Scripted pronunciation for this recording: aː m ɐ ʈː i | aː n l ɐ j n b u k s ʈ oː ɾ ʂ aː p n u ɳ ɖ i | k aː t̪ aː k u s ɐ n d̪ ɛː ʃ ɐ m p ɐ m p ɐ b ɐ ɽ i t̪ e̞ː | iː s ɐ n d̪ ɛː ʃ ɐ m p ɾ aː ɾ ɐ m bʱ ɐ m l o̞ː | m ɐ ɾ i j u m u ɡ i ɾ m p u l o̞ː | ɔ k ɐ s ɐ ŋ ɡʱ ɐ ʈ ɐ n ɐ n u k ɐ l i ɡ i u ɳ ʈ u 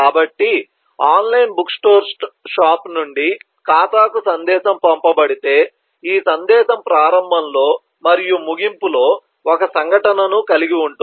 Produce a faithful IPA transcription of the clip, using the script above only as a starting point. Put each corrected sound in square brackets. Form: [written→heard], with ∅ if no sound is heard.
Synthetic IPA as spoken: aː [m→b] ɐ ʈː i | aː n l ɐ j n b u k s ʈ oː ɾ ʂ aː p n u ɳ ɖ i | k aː t̪ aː k u s ɐ n d̪ ɛː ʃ ɐ m p ɐ m p ɐ b ɐ ɽ i t̪ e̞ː | iː s ɐ n d̪ ɛː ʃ ɐ m p ɾ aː ɾ ɐ m bʱ ɐ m l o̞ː | m ɐ ɾ i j u m u ɡ i [ɾ→∅] m p u l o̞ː | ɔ k ɐ s ɐ ŋ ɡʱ ɐ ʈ ɐ n ɐ n u k ɐ l i ɡ i u ɳ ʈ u